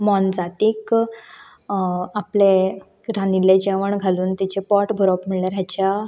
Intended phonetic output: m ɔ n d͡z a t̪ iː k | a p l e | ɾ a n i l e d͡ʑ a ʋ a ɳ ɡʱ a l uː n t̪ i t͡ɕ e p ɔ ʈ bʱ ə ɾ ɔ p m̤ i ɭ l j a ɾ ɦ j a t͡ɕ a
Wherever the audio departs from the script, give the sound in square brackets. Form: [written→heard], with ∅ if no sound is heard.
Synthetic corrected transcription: m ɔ n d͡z a t̪ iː k | a p l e | ɾ a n i l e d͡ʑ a ʋ [a→ə] ɳ ɡʱ a l uː n t̪ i t͡ɕ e p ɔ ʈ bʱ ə ɾ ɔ p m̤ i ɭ l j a ɾ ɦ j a t͡ɕ a